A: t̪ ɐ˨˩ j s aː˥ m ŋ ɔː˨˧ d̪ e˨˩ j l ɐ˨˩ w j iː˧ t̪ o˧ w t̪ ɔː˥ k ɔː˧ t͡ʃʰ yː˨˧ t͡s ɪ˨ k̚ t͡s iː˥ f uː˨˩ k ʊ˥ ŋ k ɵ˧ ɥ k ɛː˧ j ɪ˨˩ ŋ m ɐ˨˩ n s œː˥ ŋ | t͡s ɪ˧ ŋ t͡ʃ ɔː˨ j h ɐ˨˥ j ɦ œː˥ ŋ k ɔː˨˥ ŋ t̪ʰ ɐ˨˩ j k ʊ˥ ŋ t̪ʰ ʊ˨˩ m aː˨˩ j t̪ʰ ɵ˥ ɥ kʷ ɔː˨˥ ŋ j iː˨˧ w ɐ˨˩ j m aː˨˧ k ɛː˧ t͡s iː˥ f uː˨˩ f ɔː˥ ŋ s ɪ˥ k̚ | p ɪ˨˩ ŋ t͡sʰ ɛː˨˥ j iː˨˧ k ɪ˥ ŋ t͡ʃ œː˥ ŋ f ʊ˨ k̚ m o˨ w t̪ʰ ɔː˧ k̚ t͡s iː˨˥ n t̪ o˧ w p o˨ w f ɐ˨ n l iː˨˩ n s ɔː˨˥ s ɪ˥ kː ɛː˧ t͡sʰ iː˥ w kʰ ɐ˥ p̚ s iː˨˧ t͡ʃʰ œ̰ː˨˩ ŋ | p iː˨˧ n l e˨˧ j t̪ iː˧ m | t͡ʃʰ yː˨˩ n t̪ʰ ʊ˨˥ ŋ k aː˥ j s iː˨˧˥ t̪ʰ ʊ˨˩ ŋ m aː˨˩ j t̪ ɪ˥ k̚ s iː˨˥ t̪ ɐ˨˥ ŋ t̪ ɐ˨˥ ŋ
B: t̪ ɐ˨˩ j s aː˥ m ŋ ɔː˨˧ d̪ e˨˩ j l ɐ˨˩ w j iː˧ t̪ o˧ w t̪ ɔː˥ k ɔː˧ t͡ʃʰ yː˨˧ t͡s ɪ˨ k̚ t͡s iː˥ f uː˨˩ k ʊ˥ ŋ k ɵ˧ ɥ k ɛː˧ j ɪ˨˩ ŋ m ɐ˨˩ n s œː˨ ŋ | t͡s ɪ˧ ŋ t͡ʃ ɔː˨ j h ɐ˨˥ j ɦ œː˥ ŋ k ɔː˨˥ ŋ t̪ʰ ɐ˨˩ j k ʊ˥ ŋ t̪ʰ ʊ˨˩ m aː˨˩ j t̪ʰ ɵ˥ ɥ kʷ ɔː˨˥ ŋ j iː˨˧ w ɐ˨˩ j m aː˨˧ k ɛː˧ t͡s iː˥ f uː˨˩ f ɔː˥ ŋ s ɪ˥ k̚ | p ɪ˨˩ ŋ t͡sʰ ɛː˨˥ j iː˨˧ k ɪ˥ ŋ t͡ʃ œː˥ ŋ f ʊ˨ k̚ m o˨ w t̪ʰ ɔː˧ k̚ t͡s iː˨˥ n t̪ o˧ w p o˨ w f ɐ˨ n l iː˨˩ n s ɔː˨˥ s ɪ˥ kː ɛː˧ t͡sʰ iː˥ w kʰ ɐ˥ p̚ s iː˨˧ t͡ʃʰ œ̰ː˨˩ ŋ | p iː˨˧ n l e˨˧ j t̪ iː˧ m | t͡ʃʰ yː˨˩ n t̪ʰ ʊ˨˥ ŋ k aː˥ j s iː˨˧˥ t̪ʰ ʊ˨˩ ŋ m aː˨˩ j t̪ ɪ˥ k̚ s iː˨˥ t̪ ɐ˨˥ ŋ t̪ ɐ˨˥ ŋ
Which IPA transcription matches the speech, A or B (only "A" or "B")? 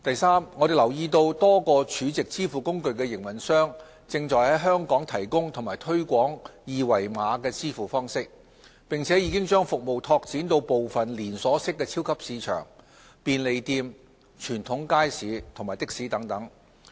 A